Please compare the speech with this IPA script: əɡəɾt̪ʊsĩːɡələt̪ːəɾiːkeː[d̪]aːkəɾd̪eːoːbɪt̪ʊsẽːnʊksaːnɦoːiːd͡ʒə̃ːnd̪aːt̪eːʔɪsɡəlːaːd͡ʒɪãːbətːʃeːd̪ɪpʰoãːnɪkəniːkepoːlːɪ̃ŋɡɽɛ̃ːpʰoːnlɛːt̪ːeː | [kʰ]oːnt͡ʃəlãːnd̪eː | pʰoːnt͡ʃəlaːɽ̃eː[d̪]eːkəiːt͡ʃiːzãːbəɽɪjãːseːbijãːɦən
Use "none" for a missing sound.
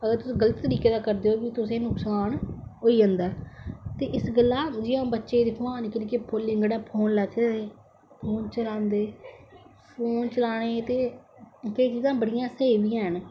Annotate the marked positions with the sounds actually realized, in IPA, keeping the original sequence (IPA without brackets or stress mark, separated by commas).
d̪, pʰ, t̪